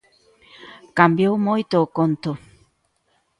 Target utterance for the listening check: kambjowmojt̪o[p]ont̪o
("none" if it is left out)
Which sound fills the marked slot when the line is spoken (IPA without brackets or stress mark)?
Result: k